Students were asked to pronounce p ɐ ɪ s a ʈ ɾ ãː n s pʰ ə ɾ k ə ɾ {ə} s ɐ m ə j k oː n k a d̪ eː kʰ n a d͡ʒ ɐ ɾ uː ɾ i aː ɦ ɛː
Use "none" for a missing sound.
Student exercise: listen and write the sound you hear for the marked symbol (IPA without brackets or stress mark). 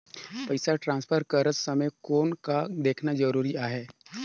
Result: ə